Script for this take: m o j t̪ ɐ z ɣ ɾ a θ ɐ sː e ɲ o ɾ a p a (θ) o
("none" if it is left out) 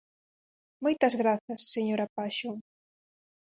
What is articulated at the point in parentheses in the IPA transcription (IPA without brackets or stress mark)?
ʃ